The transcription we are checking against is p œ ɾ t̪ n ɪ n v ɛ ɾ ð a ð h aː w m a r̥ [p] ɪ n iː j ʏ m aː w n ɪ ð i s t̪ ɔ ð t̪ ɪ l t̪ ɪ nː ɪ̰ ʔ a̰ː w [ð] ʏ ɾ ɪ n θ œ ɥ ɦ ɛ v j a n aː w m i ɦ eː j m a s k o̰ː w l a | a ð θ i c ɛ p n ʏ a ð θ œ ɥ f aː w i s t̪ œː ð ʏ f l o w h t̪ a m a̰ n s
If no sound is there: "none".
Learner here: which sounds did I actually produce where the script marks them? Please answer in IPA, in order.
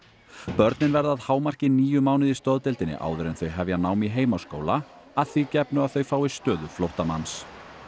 c, ð

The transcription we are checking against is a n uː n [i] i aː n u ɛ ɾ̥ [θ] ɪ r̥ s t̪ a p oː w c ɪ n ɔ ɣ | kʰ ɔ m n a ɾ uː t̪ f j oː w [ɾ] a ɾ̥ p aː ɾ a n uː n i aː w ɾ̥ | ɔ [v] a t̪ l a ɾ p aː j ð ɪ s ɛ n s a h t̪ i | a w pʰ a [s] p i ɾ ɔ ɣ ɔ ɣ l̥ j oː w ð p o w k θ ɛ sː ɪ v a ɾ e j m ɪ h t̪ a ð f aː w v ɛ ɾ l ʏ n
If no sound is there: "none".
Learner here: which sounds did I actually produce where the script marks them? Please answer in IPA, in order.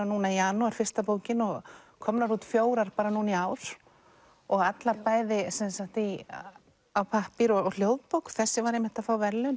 a, f, ɾ, ɣ, h

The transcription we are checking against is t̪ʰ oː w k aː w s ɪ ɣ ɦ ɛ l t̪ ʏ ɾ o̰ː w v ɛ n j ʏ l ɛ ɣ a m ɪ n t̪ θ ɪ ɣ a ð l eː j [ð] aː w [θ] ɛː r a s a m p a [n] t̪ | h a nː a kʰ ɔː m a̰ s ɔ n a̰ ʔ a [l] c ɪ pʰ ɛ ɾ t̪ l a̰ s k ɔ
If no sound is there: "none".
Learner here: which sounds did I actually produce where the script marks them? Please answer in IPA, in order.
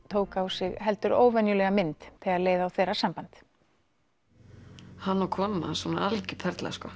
ð, θ, n, l

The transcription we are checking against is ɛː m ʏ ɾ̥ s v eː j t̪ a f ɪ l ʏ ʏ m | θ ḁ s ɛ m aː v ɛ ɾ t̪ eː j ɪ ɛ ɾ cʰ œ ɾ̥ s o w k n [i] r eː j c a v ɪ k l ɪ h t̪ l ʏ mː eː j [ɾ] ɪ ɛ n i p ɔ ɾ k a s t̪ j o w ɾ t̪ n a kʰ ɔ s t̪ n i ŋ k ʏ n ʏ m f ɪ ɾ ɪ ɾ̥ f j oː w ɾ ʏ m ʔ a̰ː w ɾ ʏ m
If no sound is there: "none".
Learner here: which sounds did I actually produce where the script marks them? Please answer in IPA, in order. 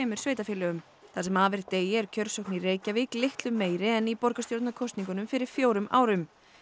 i, ɾ

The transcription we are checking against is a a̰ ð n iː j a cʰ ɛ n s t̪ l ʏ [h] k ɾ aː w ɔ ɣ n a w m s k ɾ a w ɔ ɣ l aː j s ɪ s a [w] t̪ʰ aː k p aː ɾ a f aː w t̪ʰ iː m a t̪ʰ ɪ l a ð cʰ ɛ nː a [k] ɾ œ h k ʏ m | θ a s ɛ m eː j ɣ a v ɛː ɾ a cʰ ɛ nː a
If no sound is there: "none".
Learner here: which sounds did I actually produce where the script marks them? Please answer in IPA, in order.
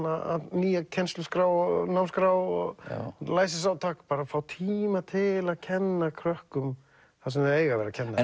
s, w, kʰ

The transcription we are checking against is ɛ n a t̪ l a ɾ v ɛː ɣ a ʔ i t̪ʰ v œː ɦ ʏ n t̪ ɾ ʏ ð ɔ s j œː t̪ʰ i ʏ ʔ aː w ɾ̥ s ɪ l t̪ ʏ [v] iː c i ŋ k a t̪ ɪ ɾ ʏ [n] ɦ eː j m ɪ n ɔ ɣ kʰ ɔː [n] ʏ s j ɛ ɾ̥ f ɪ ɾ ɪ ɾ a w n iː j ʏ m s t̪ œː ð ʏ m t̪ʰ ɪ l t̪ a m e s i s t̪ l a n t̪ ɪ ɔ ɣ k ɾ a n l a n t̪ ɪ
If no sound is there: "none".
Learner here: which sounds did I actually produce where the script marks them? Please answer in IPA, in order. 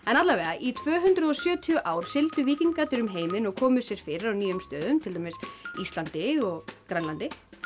v, m, m

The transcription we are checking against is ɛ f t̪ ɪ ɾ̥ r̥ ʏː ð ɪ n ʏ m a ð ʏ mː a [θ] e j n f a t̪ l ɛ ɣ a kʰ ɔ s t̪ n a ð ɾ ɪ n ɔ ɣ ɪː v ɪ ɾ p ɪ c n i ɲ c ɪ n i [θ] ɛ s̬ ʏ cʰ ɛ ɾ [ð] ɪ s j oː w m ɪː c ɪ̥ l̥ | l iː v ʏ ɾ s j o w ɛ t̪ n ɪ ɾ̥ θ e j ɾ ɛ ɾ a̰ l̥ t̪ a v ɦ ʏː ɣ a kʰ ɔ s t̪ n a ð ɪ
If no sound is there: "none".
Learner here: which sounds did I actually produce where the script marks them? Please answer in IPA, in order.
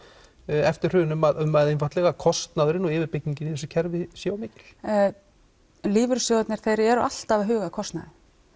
ð, θ, v

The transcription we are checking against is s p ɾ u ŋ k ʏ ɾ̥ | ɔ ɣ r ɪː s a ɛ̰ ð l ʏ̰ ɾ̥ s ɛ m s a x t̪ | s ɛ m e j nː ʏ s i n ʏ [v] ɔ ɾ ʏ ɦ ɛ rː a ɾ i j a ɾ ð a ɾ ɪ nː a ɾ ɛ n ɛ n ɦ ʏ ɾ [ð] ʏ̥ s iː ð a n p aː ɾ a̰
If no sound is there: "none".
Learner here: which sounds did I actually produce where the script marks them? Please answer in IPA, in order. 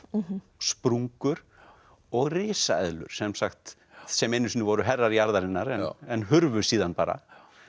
v, v

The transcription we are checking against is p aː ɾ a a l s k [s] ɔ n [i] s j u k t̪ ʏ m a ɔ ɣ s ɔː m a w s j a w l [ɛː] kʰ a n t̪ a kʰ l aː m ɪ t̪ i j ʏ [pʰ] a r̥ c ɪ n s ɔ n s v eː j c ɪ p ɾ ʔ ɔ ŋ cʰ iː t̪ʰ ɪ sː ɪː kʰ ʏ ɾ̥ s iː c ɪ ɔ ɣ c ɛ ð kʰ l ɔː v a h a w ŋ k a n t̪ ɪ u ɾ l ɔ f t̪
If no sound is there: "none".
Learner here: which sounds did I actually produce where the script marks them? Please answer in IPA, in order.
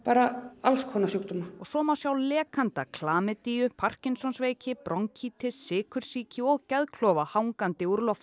h, a, ɛː, pʰ

